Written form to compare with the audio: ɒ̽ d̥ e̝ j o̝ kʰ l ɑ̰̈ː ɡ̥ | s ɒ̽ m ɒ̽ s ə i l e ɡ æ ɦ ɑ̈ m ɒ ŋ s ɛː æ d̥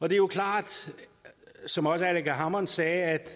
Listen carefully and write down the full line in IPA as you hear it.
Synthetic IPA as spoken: ɒ̽ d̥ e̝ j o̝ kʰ l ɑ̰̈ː d̥ | s ɒ̽ m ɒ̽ s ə æ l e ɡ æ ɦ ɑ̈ m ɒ n s ɛː æ d̥